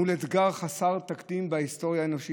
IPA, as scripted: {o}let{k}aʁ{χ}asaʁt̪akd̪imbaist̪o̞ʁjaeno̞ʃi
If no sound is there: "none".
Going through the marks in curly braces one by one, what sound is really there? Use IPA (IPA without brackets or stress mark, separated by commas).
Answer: u, ɡ, χ